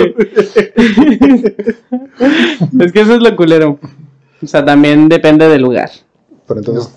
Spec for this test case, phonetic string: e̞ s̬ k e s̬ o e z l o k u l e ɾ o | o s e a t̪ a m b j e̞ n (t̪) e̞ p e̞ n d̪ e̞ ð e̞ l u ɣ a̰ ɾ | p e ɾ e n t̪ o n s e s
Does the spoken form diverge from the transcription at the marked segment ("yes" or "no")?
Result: yes